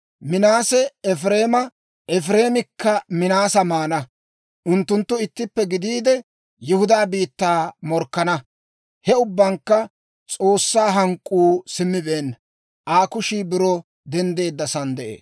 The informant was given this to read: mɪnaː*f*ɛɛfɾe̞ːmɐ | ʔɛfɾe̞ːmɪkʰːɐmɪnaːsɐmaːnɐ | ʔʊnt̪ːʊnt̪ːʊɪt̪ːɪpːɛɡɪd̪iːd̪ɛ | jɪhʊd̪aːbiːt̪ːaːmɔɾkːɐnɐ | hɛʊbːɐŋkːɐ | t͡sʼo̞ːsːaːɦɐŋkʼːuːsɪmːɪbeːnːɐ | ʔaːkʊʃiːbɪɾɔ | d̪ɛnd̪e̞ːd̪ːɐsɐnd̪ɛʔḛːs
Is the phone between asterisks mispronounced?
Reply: yes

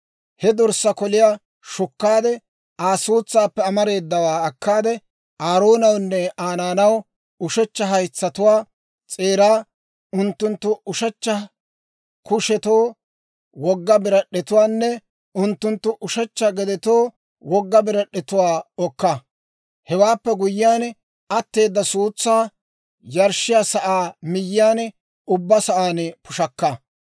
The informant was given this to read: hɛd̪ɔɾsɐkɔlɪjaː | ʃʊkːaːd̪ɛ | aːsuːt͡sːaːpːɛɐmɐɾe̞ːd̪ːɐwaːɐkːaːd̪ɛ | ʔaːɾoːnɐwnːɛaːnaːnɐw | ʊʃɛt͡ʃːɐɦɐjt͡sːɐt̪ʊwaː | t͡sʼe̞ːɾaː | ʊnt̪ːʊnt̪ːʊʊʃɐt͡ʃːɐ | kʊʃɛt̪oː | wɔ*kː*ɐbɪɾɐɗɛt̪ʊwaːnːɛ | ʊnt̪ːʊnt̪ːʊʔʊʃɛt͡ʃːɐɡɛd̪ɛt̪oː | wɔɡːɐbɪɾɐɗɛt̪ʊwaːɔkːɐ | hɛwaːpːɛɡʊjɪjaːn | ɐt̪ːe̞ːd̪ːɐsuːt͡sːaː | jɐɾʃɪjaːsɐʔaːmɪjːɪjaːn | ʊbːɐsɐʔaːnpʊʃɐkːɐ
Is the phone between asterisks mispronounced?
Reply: yes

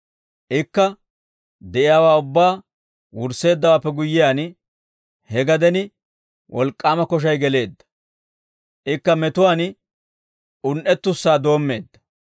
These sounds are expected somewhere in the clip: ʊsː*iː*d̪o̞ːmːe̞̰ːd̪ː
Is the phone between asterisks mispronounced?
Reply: yes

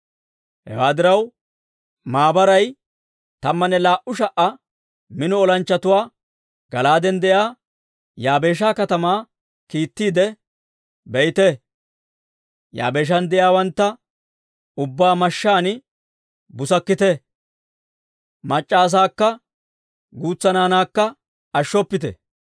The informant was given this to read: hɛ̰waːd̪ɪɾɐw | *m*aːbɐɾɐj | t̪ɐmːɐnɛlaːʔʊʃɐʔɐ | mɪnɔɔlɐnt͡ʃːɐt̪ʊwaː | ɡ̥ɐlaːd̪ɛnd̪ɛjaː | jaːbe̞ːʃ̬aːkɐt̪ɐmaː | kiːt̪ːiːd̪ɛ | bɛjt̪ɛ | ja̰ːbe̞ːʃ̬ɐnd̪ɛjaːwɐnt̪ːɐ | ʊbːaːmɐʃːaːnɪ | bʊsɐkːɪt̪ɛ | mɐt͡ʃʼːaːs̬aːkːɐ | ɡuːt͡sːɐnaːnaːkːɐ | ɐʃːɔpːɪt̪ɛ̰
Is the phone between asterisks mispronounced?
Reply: no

